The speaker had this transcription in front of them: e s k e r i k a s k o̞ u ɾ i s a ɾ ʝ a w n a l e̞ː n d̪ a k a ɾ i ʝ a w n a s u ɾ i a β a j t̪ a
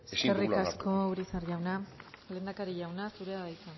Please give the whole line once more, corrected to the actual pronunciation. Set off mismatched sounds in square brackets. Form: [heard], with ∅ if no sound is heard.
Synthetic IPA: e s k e r i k a s k o̞ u ɾ i s a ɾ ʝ a w n a l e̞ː n d̪ a k a ɾ i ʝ a w n a s u ɾ [e] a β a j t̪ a